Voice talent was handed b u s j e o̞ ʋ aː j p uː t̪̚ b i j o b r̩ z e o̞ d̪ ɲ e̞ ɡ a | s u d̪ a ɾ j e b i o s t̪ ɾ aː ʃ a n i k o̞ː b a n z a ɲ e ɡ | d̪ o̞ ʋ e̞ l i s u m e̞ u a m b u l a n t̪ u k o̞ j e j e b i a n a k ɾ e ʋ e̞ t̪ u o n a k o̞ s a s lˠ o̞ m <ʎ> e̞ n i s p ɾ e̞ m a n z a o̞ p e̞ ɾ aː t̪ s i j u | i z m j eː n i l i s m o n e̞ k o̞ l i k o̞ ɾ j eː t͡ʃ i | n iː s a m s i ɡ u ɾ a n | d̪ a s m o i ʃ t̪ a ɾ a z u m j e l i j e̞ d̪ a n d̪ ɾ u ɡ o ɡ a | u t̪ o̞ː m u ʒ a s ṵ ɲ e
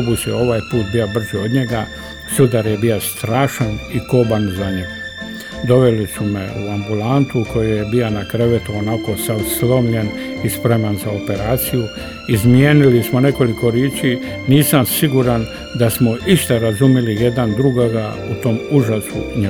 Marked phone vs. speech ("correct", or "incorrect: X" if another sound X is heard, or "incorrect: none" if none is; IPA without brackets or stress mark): correct